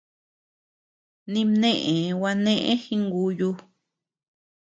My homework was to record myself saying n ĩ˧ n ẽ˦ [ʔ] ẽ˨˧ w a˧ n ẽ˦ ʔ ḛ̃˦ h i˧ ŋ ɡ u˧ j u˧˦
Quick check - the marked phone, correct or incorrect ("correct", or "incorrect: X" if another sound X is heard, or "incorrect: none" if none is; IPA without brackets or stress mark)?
correct